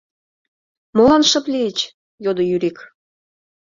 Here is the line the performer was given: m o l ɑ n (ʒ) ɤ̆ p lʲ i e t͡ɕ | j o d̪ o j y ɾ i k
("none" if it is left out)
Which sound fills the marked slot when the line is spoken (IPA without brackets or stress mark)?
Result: ʃ